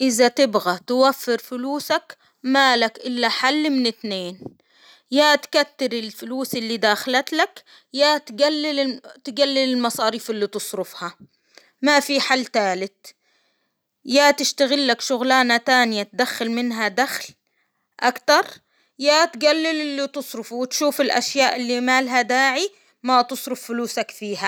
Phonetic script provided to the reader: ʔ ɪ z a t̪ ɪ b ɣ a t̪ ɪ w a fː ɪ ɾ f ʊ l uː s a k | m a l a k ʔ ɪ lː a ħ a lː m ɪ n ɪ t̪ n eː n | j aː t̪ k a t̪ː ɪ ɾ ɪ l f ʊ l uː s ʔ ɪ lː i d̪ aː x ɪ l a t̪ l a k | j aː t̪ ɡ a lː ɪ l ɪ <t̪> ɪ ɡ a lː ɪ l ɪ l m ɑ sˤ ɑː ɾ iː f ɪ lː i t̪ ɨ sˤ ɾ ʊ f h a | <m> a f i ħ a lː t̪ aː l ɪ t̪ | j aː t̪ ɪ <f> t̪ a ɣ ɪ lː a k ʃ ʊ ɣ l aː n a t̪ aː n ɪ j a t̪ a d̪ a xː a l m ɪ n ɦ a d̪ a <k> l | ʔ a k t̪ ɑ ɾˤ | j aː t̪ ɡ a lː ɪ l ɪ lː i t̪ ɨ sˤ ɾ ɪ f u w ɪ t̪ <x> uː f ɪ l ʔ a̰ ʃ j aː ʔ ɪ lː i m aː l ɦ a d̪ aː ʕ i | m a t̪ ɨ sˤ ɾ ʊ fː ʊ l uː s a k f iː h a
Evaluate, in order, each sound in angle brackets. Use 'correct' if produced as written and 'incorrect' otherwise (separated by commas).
correct, correct, incorrect, incorrect, incorrect